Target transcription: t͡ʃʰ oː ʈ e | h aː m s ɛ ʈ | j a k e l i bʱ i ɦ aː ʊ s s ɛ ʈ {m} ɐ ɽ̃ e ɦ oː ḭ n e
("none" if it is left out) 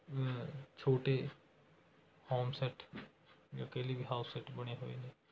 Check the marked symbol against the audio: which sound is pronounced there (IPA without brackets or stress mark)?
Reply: b